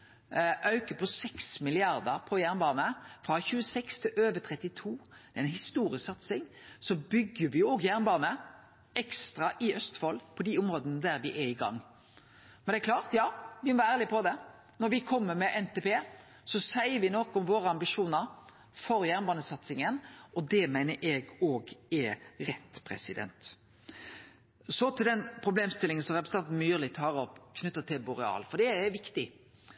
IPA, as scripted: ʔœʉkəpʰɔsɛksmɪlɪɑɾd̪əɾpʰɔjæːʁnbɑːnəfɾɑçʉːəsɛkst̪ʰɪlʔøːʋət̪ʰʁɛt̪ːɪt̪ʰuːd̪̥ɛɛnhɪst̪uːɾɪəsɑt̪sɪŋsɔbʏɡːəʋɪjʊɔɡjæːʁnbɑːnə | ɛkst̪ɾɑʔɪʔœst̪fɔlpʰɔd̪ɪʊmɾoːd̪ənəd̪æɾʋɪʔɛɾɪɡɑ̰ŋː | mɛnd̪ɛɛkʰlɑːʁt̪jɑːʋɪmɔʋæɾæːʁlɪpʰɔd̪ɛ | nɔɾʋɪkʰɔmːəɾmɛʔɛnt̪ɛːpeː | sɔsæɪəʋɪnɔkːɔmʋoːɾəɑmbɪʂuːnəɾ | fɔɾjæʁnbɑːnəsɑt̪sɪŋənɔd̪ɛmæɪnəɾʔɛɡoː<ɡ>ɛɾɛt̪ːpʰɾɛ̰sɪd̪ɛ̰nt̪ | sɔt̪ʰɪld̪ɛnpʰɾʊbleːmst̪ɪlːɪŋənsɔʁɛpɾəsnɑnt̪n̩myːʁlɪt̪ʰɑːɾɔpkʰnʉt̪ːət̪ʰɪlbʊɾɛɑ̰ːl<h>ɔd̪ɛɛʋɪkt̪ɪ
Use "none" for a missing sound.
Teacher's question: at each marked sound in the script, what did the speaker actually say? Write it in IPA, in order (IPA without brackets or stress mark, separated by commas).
ɡ, f